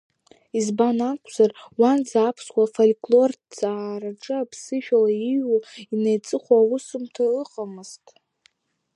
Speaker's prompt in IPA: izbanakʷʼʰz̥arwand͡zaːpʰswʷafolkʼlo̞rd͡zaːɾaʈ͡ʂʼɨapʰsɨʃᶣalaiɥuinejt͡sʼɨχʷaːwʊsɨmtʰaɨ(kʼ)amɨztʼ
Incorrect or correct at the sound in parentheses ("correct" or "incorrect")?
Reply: incorrect